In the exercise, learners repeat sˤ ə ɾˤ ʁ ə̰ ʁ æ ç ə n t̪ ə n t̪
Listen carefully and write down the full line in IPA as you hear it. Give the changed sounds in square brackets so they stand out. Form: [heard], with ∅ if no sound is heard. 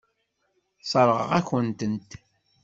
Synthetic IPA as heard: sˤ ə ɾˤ ʁ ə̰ ʁ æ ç ə n t̪ ə n t̪